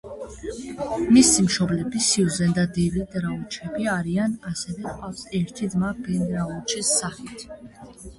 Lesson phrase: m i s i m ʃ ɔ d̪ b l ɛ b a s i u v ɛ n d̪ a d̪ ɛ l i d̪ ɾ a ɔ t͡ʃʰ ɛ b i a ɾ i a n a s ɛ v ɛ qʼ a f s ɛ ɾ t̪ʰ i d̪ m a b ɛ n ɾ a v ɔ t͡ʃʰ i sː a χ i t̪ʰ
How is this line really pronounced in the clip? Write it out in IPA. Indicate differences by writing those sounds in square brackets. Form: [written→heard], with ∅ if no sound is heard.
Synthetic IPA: m i s i m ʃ ɔ [d̪→∅] b l ɛ b [a→i] s i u [v→z] ɛ n d̪ a d̪ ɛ l i d̪ ɾ a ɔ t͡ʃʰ ɛ b i a ɾ i a n a s ɛ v ɛ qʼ a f s ɛ ɾ t̪ʰ i d̪ m a b ɛ n ɾ a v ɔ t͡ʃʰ i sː a χ i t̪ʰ